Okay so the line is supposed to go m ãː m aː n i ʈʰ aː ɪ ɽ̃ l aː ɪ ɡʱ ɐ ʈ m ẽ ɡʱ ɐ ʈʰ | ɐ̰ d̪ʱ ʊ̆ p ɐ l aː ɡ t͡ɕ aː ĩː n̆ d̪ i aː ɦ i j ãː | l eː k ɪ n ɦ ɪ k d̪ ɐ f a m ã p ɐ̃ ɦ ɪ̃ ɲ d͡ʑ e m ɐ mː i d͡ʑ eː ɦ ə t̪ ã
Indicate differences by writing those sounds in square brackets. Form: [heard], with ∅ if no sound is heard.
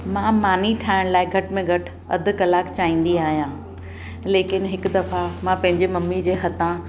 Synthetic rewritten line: m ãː m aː n i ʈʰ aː ɪ ɽ̃ l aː ɪ ɡʱ ɐ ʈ m ẽ ɡʱ ɐ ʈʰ | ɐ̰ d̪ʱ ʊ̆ [k] ɐ l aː [k] t͡ɕ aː ĩː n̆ d̪ i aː ɦ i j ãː | l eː k ɪ n ɦ ɪ k d̪ ɐ f a m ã p ɐ̃ ɦ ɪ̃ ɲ d͡ʑ e m ɐ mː i d͡ʑ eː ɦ [ɐ] t̪ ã